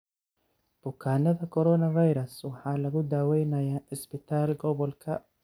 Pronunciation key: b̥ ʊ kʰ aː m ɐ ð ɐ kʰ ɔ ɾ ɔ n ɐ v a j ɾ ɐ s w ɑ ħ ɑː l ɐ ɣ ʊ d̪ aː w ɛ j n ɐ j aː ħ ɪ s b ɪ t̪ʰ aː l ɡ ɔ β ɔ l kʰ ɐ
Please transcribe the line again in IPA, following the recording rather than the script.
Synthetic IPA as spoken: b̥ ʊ kʰ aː n ɐ ð ɐ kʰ ɔ ɾ ɔ n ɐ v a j ɾ ɐ s w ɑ ħ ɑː l ɐ ɣ ʊ d̪ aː w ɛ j n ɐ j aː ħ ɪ s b ɪ t̪ʰ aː l ɡ ɔ β ɔ l kʰ ɐ